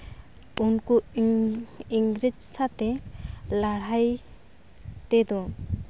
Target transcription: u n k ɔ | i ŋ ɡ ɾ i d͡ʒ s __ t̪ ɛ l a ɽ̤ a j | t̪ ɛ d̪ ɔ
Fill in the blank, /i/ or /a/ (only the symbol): a